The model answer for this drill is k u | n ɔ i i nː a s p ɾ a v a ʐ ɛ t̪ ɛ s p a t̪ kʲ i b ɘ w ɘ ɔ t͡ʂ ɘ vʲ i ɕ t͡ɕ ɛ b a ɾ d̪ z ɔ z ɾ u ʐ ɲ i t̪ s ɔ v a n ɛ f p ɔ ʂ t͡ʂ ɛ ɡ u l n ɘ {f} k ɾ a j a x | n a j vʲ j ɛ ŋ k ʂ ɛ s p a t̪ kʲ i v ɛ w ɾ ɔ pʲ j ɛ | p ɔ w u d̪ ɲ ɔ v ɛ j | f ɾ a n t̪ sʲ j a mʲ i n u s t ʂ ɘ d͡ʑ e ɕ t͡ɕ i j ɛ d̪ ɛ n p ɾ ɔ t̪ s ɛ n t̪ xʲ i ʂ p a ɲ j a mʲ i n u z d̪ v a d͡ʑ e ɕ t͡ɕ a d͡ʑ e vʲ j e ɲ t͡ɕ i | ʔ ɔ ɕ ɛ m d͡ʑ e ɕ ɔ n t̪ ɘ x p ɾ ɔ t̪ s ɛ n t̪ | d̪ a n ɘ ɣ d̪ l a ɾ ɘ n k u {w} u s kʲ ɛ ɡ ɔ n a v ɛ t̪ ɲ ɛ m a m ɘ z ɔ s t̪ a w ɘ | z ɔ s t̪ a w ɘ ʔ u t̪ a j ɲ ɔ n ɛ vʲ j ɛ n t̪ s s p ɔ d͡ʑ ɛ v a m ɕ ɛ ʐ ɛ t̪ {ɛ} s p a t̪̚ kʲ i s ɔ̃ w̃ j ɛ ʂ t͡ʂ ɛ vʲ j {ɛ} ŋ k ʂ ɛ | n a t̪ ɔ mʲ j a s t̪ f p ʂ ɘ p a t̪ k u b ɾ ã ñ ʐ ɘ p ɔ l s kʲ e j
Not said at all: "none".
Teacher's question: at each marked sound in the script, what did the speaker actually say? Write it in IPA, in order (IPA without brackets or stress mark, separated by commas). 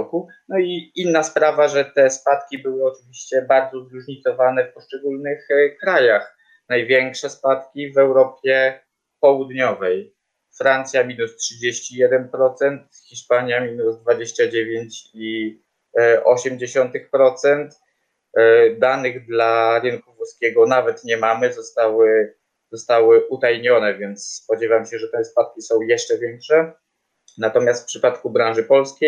x, v, ɛ, ɛ